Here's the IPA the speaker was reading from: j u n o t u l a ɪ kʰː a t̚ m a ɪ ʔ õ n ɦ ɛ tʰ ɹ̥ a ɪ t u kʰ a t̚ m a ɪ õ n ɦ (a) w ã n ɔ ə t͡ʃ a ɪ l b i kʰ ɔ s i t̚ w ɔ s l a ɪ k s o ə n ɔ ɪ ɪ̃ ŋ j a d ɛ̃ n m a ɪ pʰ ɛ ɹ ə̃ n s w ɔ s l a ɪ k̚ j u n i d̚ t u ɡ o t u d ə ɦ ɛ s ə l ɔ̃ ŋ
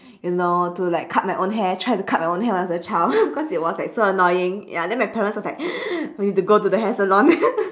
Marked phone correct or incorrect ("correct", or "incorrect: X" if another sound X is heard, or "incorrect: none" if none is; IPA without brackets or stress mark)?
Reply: incorrect: ɛ